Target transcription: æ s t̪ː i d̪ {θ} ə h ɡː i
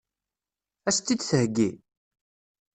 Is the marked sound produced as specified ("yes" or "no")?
yes